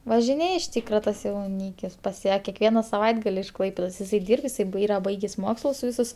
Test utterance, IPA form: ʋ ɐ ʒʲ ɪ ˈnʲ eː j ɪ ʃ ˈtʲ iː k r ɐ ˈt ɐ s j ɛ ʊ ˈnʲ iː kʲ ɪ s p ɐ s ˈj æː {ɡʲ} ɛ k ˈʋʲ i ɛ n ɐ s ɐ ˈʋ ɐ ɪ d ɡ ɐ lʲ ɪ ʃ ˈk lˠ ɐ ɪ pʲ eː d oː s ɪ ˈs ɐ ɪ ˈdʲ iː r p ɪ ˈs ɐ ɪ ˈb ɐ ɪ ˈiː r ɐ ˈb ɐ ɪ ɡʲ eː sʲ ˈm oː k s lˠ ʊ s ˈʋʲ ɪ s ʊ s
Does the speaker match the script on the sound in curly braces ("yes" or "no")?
no